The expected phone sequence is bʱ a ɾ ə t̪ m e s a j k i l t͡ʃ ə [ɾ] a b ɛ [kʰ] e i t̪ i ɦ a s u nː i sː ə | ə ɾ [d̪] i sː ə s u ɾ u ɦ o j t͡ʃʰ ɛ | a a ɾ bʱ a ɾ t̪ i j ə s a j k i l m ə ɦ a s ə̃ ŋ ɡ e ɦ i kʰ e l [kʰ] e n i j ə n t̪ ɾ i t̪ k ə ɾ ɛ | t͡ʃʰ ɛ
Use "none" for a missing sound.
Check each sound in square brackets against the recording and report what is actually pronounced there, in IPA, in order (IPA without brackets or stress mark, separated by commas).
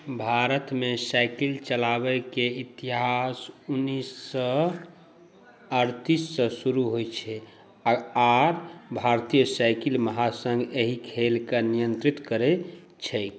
l, k, t̪, k